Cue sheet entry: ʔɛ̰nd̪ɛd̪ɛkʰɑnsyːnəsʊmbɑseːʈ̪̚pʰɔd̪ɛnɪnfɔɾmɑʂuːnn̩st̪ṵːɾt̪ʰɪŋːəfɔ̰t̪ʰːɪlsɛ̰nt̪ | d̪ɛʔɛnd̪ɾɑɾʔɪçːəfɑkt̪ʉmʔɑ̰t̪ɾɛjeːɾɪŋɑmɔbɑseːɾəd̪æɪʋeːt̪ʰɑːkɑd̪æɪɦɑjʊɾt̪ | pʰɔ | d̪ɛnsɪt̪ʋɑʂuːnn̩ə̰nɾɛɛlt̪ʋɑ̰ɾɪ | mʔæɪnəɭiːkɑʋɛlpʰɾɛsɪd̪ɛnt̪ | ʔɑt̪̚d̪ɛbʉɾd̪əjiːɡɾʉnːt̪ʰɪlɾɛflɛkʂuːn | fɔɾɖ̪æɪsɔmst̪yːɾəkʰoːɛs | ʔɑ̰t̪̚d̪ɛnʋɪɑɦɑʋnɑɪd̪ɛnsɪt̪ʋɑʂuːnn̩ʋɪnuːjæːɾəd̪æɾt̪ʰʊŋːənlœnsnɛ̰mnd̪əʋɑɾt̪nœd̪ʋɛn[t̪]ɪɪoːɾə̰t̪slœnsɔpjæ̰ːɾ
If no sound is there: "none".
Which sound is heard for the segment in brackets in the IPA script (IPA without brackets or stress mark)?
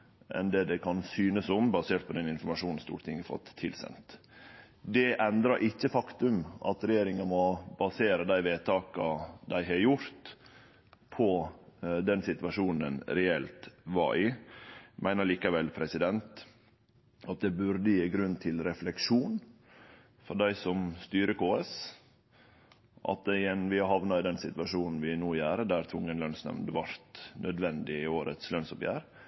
d̪